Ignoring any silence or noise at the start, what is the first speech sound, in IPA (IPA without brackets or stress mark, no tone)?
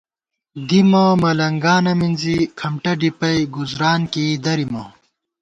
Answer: d̪